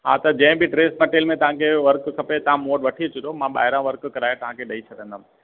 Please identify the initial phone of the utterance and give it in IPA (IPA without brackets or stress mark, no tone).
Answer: ɦ